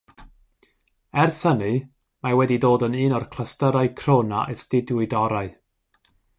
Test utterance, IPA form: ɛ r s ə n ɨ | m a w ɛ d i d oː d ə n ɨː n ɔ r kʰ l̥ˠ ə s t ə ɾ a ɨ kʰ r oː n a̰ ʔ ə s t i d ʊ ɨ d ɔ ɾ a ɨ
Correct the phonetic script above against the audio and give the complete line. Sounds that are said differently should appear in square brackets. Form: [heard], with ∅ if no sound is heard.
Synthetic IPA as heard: ɛ r s ə n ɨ | m a w ɛ d i d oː d ə n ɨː n ɔ r kʰ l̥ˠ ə s t ə ɾ a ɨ kʰ r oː n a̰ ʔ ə s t [ɪ] d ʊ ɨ d ɔ ɾ a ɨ

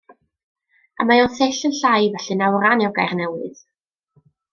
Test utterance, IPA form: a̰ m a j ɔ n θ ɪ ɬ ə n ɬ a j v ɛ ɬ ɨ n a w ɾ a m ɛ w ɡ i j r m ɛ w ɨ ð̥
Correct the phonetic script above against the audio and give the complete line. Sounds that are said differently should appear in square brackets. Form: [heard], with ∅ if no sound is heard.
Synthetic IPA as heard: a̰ m a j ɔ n θ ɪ ɬ ə n ɬ a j v ɛ ɬ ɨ n a w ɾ a [n] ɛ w ɡ [a] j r [n] ɛ w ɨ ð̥

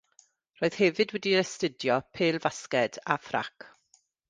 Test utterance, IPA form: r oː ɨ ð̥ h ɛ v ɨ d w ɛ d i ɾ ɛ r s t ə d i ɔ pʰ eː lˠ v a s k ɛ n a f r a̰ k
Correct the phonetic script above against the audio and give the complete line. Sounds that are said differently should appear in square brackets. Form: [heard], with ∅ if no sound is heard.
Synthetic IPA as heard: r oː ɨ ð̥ h ɛ v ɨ d w ɛ d i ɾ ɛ [∅] s t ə d [j] ɔ pʰ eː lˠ v a s k ɛ [d] a f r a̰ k

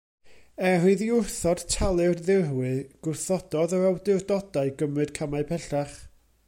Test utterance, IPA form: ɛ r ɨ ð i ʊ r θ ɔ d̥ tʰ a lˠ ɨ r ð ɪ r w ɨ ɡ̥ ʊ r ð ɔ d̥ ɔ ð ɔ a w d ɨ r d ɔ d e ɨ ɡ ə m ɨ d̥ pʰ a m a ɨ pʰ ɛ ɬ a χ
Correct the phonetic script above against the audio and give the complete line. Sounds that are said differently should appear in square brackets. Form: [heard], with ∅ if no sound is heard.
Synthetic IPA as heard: ɛ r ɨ ð i ʊ r θ ɔ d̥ tʰ a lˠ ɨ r ð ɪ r w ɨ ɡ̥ ʊ r [θ] ɔ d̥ ɔ ð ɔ a w d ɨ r d ɔ d [a] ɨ ɡ ə m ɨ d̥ [kʰ] a m a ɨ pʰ ɛ ɬ a χ

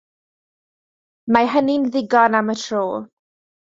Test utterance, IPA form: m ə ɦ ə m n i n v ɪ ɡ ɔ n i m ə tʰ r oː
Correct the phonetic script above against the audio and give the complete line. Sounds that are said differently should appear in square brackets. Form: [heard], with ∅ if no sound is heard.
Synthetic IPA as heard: m [a] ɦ ə [∅] n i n [ð] ɪ ɡ ɔ n [a] m ə tʰ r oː

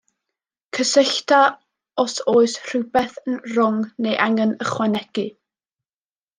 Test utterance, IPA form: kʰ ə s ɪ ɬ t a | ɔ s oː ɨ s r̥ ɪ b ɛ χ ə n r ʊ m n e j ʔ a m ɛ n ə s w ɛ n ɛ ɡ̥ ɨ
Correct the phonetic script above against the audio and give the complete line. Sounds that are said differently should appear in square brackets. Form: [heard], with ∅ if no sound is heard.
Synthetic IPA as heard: kʰ ə s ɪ ɬ t a | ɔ s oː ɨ s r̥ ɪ b ɛ [θ] ə n r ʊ [ŋ] n e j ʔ a [ŋ] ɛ n ə [χ] w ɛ n ɛ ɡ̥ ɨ

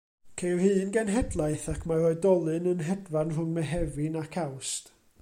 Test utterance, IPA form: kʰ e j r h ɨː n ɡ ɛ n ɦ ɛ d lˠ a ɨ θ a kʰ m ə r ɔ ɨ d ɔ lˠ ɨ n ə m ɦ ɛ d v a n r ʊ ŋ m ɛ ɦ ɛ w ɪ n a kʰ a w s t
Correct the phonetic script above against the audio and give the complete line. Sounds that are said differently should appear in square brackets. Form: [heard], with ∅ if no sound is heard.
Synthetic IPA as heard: kʰ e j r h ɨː n ɡ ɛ n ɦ ɛ d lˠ a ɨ θ a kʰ m [a] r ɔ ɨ d ɔ lˠ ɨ n ə [n] ɦ ɛ d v a n r ʊ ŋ m ɛ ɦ ɛ [v] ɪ n a kʰ a w s t

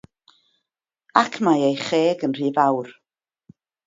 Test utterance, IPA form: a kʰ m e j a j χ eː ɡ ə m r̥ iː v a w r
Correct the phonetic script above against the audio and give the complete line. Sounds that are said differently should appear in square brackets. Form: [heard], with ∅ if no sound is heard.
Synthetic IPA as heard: a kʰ m [a] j [e] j χ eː ɡ ə [n] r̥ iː v a w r

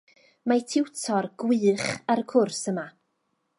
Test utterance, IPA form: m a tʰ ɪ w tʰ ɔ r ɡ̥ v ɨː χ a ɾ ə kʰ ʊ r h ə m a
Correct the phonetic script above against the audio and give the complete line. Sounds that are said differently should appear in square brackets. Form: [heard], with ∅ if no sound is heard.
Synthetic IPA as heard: m a tʰ ɪ w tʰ ɔ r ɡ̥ [w] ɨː χ a ɾ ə kʰ ʊ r [s] ə m a

